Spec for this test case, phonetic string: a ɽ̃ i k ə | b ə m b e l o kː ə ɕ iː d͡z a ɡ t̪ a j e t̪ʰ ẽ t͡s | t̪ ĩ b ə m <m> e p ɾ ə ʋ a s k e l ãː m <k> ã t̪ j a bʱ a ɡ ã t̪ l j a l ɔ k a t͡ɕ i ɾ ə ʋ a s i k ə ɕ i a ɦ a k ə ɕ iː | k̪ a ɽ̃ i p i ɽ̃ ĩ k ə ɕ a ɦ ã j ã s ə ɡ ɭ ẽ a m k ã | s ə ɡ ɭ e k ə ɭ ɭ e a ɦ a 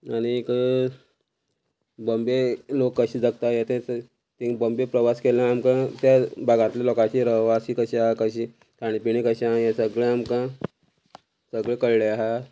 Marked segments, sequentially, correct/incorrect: incorrect: b, correct

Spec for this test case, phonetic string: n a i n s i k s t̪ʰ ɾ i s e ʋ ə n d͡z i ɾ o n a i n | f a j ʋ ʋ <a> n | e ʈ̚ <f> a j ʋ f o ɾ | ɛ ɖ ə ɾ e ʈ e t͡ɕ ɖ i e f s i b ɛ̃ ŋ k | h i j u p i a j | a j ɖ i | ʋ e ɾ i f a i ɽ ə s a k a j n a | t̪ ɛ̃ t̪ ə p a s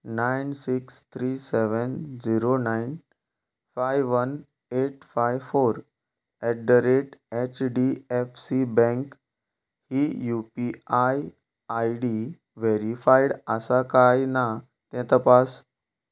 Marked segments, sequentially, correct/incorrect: incorrect: ə, correct

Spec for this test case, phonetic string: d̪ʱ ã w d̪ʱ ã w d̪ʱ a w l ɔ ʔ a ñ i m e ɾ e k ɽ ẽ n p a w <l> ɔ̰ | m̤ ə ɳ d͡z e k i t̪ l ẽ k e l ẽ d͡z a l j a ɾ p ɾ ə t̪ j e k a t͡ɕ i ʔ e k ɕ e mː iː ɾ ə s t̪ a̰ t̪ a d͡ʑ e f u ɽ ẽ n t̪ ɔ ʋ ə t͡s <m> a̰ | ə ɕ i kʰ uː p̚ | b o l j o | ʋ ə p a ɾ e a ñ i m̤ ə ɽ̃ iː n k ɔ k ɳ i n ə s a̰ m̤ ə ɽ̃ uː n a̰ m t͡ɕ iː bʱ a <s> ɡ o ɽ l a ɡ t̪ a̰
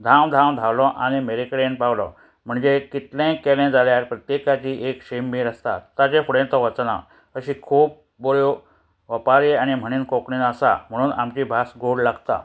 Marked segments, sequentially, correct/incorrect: correct, incorrect: n, correct

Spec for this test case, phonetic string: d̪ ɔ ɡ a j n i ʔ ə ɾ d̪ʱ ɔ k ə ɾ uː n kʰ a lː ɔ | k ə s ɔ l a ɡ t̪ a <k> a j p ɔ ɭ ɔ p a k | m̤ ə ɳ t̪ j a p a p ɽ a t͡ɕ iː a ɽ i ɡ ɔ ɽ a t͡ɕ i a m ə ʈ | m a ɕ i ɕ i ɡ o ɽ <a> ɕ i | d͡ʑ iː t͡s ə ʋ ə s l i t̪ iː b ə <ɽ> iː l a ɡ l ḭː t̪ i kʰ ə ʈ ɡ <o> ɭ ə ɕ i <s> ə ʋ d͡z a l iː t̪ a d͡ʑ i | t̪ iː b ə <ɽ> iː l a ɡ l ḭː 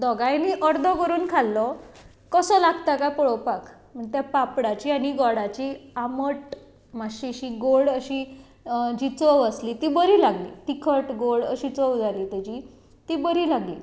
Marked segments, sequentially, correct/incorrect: correct, incorrect: ə, incorrect: ɾ, correct, incorrect: t͡s, incorrect: ɾ

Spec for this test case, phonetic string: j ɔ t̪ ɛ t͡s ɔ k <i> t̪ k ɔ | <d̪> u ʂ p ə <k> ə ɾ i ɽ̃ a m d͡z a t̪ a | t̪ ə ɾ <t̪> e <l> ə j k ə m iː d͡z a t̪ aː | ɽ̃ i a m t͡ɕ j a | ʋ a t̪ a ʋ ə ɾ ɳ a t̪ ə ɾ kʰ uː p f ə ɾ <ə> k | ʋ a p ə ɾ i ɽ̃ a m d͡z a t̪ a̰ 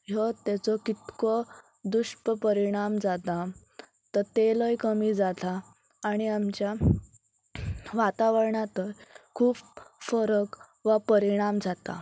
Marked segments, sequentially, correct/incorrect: correct, correct, incorrect: p, correct, correct, correct

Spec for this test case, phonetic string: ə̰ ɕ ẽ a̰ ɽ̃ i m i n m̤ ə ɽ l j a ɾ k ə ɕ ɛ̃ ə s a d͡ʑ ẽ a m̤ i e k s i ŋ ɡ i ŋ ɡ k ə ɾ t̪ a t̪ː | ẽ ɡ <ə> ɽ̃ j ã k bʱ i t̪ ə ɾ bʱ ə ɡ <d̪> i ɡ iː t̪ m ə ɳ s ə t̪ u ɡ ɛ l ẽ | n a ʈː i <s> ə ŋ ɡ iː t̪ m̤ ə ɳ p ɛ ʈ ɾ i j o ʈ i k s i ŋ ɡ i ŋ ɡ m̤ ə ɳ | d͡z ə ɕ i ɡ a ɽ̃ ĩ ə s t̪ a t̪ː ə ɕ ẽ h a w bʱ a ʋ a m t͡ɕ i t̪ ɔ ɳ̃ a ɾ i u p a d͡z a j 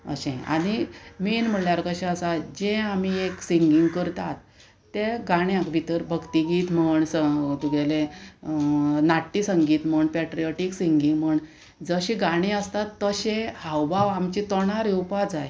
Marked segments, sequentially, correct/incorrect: incorrect: a, incorrect: t̪, correct

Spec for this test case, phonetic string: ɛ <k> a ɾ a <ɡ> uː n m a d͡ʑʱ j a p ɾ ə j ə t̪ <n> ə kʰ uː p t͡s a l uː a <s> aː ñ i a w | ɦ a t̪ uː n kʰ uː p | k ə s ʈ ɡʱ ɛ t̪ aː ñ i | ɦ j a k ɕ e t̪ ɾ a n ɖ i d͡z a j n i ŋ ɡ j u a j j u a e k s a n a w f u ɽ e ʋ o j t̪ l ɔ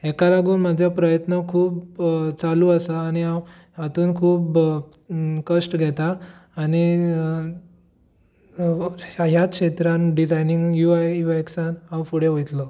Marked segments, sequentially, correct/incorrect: correct, correct, correct, correct

